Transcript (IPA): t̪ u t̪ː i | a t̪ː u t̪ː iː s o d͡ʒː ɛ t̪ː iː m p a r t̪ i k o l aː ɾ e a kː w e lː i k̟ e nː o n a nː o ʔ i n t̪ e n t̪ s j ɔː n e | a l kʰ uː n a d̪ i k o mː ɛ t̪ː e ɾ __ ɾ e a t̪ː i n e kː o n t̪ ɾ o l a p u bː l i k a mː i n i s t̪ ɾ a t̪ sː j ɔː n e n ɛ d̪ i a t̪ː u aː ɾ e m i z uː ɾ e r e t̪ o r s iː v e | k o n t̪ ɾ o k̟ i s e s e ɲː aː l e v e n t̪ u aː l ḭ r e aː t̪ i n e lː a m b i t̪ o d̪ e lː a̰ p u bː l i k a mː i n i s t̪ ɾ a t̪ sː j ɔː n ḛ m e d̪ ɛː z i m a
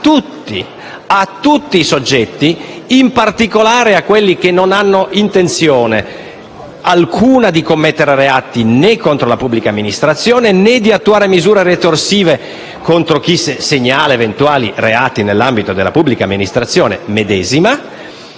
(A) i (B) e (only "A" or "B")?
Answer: B